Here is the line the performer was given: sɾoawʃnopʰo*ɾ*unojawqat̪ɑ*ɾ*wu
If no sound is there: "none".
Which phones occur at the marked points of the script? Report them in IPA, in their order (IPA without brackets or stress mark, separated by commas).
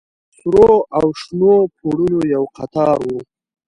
ɽ, ɾ